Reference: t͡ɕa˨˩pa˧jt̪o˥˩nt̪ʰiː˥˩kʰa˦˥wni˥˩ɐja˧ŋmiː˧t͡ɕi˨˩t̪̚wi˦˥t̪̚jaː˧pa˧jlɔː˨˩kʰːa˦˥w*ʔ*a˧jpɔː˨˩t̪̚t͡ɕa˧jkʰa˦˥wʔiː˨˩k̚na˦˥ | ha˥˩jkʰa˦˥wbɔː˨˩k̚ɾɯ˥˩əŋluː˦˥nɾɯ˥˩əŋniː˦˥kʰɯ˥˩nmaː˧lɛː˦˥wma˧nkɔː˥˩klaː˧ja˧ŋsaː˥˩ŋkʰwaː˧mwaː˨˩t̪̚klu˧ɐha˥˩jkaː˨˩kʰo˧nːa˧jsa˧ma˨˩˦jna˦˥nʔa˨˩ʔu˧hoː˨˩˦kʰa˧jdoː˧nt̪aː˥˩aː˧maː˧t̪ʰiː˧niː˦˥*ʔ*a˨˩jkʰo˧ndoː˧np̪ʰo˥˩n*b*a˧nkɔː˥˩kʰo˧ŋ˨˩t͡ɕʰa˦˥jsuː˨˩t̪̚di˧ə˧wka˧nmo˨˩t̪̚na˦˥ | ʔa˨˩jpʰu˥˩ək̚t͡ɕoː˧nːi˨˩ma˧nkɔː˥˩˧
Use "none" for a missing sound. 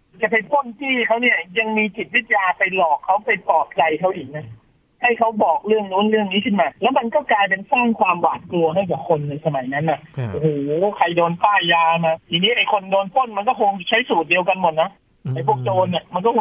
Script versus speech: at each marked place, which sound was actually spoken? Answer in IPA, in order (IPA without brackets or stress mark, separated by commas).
p, ʔ, m